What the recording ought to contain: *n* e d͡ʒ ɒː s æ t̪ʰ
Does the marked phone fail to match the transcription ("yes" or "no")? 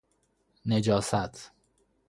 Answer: no